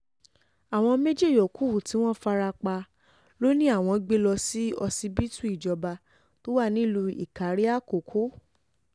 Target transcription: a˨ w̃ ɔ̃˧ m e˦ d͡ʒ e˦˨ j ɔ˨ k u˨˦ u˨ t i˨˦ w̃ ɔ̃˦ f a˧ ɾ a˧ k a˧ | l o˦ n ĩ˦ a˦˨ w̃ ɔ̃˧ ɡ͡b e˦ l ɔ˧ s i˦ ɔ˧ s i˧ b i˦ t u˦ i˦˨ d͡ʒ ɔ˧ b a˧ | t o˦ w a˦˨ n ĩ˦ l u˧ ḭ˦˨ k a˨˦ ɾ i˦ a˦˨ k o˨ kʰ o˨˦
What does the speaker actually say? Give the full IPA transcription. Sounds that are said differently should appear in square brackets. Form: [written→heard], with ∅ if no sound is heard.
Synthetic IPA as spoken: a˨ w̃ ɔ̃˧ m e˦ d͡ʒ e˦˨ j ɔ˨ k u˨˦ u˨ t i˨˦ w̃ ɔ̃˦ f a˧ ɾ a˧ [k→k͡p] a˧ | l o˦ n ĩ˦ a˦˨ w̃ ɔ̃˧ ɡ͡b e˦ l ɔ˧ s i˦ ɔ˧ s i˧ b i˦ t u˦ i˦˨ d͡ʒ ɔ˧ b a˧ | t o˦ w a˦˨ n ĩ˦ l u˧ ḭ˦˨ k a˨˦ ɾ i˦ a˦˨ k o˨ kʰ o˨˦